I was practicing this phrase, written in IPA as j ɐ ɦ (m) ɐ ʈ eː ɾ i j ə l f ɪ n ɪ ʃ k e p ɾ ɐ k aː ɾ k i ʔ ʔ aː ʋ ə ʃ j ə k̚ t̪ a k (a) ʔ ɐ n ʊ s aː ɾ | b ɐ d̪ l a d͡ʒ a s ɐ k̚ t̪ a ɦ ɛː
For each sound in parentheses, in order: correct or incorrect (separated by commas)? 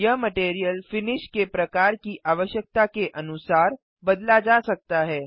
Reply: correct, incorrect